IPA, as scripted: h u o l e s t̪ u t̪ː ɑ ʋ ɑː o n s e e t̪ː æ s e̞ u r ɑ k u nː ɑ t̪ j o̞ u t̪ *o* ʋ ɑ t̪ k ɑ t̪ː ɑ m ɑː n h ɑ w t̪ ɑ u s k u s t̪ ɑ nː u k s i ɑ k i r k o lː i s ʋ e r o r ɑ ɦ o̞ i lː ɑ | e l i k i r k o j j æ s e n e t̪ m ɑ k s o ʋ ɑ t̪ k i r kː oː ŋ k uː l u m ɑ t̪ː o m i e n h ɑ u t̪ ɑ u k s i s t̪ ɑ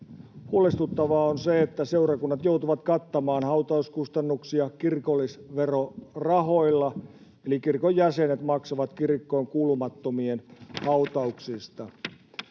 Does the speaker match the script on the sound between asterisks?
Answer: no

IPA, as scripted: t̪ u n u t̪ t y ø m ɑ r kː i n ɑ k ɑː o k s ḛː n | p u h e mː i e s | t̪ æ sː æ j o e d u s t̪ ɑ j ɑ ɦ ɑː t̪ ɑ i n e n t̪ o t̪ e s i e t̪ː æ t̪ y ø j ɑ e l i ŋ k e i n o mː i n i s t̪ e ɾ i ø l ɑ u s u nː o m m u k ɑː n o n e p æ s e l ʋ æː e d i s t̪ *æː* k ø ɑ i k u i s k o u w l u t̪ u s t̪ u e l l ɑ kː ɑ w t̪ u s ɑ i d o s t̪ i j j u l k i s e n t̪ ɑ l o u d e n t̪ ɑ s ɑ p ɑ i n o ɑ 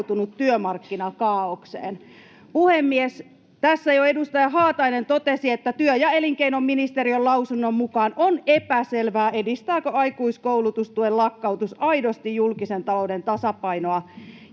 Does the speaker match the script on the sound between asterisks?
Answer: yes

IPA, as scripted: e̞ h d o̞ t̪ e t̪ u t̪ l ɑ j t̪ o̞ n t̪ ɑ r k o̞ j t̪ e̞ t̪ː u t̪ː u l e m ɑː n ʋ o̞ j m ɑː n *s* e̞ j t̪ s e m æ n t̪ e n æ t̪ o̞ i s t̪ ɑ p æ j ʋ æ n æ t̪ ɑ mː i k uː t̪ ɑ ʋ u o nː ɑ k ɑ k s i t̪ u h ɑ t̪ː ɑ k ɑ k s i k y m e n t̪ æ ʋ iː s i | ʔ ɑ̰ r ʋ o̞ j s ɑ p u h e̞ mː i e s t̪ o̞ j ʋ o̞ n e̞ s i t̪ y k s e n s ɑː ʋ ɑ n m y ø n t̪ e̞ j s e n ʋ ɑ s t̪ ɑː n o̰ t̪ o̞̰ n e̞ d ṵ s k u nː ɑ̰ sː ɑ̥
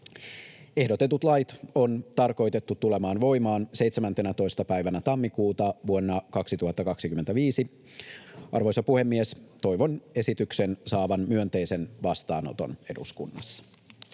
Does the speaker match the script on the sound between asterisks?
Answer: yes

